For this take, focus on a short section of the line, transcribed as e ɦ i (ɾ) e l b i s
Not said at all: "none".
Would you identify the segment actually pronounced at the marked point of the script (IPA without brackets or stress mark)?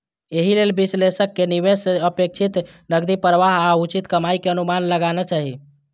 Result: l